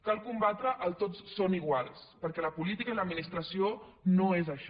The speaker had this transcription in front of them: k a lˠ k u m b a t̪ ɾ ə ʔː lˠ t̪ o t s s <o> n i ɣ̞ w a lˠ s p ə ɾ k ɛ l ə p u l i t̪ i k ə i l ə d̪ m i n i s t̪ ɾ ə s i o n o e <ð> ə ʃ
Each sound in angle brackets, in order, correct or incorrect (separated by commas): correct, incorrect